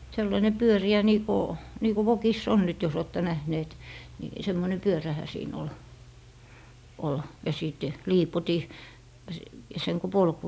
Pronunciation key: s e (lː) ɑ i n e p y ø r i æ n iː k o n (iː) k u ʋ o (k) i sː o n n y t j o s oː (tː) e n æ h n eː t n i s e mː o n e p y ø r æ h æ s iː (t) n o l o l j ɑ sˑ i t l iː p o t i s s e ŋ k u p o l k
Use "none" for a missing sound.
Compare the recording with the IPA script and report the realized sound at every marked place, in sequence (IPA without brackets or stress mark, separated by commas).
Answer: lː, iː, k, tː, none